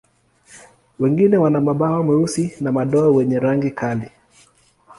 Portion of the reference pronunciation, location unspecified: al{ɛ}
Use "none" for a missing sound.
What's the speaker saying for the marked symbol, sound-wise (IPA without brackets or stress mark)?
i